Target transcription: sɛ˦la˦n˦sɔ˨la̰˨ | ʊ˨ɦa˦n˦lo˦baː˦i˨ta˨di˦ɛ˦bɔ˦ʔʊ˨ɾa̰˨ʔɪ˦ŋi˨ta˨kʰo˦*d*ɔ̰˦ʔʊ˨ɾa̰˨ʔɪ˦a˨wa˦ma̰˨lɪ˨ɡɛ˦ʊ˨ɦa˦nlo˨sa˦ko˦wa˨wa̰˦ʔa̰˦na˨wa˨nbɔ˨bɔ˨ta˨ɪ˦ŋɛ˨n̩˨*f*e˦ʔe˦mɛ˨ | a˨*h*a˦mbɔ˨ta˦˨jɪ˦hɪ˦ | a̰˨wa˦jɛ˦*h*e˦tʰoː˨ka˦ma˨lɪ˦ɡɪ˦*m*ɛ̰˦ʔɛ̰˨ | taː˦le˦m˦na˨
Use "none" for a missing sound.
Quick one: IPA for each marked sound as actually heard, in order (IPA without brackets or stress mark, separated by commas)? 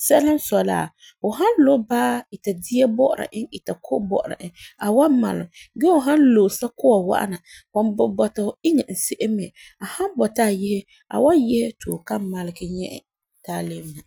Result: b, s, h, h, ɲ